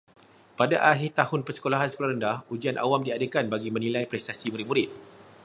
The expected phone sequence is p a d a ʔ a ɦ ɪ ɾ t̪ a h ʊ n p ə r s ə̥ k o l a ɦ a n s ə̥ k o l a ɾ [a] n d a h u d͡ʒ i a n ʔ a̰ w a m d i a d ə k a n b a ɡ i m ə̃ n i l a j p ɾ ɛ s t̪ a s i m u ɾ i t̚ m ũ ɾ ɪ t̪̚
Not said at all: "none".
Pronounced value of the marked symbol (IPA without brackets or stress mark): ə